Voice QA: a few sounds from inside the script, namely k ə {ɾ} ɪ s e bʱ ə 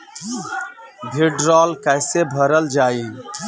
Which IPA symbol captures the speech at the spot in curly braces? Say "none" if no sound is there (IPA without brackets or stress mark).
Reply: none